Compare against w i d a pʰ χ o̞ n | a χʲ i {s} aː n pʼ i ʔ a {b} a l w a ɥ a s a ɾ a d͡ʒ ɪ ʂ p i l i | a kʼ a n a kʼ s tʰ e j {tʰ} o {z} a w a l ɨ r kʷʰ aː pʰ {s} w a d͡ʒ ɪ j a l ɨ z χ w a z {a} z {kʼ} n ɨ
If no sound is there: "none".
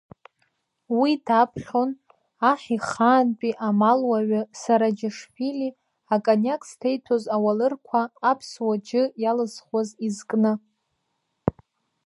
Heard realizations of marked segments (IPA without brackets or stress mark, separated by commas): χ, m, tʰ, z, s, i, kʼ